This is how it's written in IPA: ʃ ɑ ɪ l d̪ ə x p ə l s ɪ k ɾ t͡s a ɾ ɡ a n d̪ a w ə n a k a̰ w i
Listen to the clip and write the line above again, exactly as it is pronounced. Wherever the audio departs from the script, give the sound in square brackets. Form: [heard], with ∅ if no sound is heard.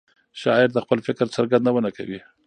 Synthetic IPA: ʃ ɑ ɪ [ɾ] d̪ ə x p ə l [f] ɪ k ɾ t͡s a ɾ ɡ a n d̪ a w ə n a k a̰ w i